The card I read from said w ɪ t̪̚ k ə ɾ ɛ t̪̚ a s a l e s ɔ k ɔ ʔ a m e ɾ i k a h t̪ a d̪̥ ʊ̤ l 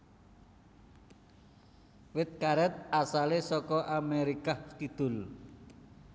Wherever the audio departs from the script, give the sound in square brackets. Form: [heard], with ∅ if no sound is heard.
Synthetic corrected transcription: w ɪ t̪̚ k [a] ɾ ɛ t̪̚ a s a l e s ɔ k ɔ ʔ a m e ɾ i k a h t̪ [i] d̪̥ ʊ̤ l

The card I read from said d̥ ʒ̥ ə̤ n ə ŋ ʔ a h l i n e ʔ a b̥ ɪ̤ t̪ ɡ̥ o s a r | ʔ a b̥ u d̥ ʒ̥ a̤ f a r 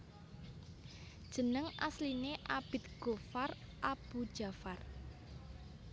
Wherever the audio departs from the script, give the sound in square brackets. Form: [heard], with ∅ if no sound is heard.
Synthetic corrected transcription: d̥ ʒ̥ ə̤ n ə ŋ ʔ a [s] l i n e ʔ a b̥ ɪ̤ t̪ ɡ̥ o [f] a r | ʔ a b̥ u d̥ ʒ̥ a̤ f a r

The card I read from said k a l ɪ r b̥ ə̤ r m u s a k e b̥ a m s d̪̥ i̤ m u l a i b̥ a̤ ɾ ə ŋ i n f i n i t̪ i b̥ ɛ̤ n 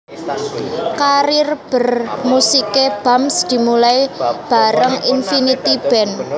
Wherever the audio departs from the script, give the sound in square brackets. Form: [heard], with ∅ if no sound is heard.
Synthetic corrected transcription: k a [ɾ] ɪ r b̥ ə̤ r m u s [i] k e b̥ a m s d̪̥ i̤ m u l a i b̥ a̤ ɾ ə ŋ i n f i n i t̪ i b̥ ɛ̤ n

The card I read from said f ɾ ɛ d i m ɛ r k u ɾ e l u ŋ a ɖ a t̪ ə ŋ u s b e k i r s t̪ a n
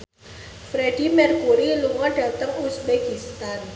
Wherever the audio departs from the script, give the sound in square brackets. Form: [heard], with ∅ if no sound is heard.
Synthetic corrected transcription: f ɾ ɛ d i m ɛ r k u ɾ [i] l u ŋ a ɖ a t̪ ə ŋ u s b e k i [∅] s t̪ a n

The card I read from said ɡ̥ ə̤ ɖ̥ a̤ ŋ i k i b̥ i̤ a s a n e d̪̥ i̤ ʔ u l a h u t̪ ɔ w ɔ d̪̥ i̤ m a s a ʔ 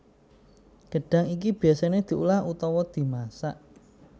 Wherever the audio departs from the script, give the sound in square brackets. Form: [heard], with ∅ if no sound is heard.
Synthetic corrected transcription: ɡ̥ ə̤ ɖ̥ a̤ ŋ i k i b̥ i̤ a s a n e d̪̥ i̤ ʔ u l a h u t̪ ɔ w ɔ d̪̥ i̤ m a s a ʔ

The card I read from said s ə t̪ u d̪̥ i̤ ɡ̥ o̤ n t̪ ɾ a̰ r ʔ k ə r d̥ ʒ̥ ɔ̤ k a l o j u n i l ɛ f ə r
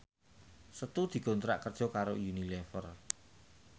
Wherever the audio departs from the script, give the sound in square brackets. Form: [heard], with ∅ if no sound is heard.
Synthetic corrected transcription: s ə t̪ u d̪̥ i̤ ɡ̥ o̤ n t̪ ɾ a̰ [∅] ʔ k ə r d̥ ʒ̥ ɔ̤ k a [ɾ] o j u n i l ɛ f ə r

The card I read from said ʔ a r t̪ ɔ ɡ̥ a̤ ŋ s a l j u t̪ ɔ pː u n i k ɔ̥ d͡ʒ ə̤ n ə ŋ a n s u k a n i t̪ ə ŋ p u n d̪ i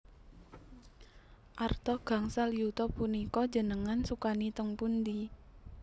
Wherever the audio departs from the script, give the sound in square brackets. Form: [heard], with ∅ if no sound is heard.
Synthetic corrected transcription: ʔ a r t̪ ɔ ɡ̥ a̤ ŋ s a l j u t̪ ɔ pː u n i k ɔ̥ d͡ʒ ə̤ n ə ŋ a n s u k a n i t̪ ə ŋ p u n d̪ i

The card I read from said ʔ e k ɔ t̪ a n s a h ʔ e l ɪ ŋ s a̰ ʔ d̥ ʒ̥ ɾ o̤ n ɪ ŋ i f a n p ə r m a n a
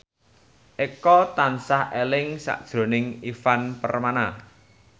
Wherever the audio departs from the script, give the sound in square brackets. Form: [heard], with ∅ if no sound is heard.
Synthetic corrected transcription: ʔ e k ɔ t̪ a n s a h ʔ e l ɪ ŋ s a̰ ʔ d̥ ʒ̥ ɾ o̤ n ɪ ŋ i f a n p ə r m a n a

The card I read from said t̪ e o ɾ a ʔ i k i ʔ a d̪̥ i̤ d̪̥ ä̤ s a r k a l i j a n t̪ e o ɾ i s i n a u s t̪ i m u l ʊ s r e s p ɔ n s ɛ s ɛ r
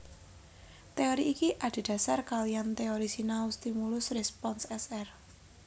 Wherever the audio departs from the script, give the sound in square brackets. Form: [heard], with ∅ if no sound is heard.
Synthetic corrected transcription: t̪ e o ɾ [i] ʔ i k i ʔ a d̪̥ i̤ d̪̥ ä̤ s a r k a l i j a n t̪ e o ɾ i s i n a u s t̪ i m u l ʊ s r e s p ɔ n s ɛ s ɛ r

